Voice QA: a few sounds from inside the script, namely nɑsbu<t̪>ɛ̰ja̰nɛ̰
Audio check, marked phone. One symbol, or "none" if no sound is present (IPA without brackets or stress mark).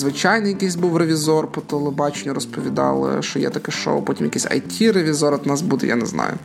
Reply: d̪